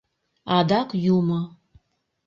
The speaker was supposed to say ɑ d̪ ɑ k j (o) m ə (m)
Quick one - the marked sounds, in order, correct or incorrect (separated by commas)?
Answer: incorrect, incorrect